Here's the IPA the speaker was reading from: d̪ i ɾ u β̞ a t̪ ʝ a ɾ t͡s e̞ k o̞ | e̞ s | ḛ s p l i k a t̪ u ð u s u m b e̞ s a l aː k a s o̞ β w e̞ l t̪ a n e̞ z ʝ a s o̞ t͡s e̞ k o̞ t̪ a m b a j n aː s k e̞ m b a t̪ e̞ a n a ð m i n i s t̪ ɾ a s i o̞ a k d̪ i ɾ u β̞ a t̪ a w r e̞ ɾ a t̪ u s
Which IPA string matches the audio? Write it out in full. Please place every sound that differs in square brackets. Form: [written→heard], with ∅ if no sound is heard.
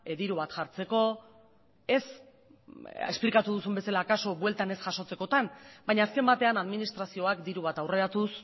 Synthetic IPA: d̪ i ɾ u β̞ a t̪ ʝ a ɾ t͡s e̞ k o̞ | e̞ s | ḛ s p l i k a t̪ u ð u s u m b e̞ s a l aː k a s o̞ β w e̞ l t̪ a n e̞ [z→s] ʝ a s o̞ t͡s e̞ k o̞ t̪ a [m→n] b a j [n→ɲ] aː s k e̞ m b a t̪ e̞ a n a ð m i n i s t̪ ɾ a s i o̞ a k d̪ i ɾ u β̞ a t̪ a w r e̞ ɾ a t̪ u s